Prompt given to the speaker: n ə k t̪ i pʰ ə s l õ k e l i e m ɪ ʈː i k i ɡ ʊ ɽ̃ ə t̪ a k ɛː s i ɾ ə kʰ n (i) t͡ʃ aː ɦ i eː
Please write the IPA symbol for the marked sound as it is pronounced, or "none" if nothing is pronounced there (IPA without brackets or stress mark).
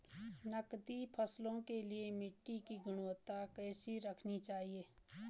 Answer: i